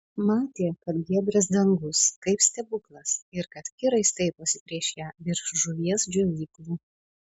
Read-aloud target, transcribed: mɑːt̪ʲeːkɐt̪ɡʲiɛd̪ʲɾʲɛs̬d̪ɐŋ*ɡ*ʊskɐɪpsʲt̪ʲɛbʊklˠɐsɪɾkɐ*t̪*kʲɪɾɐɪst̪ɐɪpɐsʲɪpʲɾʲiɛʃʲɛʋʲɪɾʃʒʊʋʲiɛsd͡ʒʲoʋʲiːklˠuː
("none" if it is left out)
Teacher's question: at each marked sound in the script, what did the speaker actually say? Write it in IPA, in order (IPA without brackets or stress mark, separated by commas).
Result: ɡ, t̪